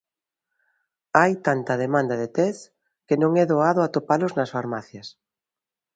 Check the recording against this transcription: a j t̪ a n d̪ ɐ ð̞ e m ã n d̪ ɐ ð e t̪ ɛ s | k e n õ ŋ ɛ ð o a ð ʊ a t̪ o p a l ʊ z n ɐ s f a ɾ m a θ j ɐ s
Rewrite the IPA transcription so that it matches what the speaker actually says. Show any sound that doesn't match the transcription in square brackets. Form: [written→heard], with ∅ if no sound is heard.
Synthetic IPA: a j t̪ a n [d̪→t̪] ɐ ð̞ e m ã n d̪ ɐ ð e t̪ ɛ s | k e n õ ŋ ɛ ð o a ð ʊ a t̪ o p a l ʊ z n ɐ s f a ɾ m a θ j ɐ s

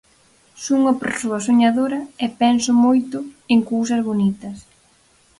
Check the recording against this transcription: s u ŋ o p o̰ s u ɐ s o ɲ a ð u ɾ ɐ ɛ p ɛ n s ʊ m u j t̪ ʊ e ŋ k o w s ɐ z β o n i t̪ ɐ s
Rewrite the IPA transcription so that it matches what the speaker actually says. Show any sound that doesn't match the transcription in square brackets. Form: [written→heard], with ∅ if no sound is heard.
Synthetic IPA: s u ŋ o p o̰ s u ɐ s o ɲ a ð [u→o] ɾ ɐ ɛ p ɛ n s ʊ m [u→o] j t̪ ʊ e ŋ k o w s ɐ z β o n i t̪ ɐ s

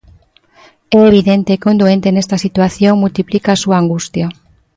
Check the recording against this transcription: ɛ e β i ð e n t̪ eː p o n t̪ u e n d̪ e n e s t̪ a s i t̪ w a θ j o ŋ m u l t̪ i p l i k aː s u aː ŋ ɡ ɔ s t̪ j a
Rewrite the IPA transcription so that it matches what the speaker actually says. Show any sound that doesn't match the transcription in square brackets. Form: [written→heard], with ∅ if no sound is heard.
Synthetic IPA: ɛ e β i ð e n t̪ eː [p→k] o n [t̪→d̪] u e n [d̪→t̪] e n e s t̪ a s i t̪ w a θ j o ŋ m u l t̪ i p l i k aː s u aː ŋ ɡ [ɔ→u] s t̪ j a

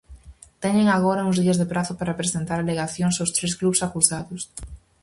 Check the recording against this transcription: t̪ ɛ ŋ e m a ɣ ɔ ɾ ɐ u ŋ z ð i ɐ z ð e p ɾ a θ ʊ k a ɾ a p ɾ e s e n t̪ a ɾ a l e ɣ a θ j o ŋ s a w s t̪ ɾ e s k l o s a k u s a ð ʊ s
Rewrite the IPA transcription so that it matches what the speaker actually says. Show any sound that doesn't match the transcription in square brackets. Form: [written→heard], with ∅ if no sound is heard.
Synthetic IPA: t̪ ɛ [ŋ→ɲ] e [m→ŋ] a ɣ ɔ ɾ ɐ u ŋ z ð i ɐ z ð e p ɾ a θ ʊ [k→p] a ɾ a p ɾ e s e n t̪ a ɾ a l e ɣ a θ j o ŋ s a w s t̪ ɾ e s k l [o→u] s a k u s a ð ʊ s

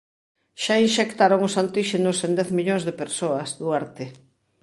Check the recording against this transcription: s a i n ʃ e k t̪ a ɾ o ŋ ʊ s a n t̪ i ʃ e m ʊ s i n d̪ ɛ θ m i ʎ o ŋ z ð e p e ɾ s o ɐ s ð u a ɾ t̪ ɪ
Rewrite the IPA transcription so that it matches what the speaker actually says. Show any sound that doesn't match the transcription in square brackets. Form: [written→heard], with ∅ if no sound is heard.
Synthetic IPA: [s→ʃ] a i n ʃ e k t̪ a ɾ o ŋ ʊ s a n t̪ i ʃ e [m→n] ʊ s [i→e] n d̪ ɛ θ m i ʎ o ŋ z ð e p e ɾ s o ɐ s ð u a ɾ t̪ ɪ

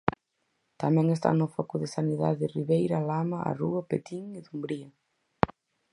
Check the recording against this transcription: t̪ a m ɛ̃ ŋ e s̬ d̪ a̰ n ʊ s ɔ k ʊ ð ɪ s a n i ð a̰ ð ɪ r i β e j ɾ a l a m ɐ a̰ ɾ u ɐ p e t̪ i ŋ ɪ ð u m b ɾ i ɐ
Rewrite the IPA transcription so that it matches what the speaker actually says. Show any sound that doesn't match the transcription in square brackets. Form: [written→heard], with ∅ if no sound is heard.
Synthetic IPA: t̪ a m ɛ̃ ŋ e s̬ [d̪→t̪] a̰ n ʊ [s→f] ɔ k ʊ ð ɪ s a n i ð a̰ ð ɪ r i β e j ɾ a l a m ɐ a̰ [ɾ→r] u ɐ p e t̪ i ŋ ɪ ð u m b ɾ i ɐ

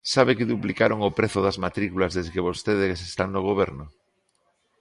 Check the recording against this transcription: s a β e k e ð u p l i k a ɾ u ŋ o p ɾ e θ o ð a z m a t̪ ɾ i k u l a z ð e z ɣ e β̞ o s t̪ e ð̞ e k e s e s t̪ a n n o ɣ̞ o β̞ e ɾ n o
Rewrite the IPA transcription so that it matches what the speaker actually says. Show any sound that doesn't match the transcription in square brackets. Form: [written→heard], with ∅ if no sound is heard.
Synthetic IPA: s a β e k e ð u p l i k a ɾ [u→o] ŋ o p ɾ e θ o ð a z m a t̪ ɾ i k u l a z ð e z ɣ e β̞ o s t̪ e ð̞ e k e s e s t̪ a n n o ɣ̞ o β̞ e ɾ n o

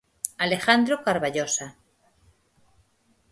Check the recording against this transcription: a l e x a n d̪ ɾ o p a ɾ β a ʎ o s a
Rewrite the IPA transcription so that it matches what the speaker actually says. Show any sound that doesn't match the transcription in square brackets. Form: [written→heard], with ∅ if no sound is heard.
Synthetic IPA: a l e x a n d̪ ɾ o [p→k] a ɾ β a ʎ o s a

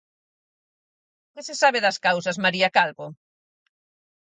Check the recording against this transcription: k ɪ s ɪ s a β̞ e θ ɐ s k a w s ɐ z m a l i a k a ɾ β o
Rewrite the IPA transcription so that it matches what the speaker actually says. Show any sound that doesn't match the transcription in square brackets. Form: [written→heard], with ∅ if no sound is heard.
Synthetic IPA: k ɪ s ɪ s a β̞ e [θ→ð] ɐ s k a w s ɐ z m a [l→ɾ] i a k a [ɾ→l] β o

